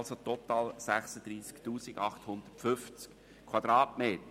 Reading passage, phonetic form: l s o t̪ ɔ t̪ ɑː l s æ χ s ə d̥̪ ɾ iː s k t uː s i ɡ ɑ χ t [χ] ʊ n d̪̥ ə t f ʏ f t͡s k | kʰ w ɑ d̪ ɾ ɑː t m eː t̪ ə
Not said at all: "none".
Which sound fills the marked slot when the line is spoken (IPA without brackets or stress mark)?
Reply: h